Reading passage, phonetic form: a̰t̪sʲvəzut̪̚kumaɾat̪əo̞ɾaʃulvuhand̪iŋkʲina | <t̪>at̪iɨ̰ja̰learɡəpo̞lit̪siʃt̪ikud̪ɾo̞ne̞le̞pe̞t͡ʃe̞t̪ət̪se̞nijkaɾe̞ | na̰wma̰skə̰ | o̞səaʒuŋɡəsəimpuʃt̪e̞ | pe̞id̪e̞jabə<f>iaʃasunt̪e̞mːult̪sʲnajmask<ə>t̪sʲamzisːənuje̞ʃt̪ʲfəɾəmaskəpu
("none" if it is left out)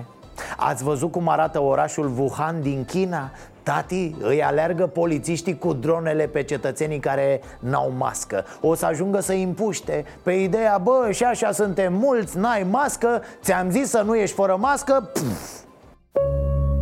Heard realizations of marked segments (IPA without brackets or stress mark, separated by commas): t̪, ʃ, ə